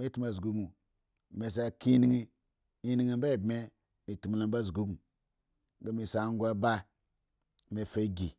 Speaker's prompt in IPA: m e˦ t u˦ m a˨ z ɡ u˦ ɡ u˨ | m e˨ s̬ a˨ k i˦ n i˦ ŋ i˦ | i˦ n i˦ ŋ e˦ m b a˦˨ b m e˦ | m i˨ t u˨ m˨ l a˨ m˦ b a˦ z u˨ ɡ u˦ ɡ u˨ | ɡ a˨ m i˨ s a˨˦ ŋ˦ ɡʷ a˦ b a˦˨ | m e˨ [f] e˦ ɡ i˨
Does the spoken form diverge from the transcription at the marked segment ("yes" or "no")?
no